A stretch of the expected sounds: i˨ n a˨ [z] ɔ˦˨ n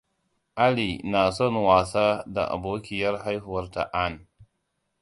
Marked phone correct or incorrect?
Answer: incorrect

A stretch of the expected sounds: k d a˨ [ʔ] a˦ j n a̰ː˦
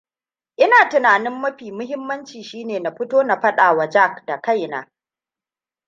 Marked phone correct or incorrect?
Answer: incorrect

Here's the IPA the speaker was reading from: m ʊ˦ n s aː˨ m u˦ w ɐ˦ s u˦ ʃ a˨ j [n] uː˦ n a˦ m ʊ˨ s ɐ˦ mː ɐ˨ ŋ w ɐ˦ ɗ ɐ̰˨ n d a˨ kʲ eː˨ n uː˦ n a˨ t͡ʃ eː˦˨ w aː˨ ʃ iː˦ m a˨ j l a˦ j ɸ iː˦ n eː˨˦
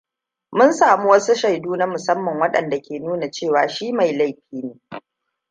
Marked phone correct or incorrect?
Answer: incorrect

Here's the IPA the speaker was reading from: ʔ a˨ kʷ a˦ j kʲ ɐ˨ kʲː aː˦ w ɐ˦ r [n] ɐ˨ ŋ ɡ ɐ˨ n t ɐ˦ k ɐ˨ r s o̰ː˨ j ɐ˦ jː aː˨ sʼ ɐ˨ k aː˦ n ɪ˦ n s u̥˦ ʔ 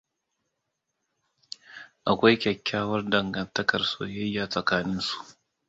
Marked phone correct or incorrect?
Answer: incorrect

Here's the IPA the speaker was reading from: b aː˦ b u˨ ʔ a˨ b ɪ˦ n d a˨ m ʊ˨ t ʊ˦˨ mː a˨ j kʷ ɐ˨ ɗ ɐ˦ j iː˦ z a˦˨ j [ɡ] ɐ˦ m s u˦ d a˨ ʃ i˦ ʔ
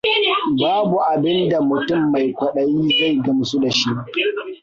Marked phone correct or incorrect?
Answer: correct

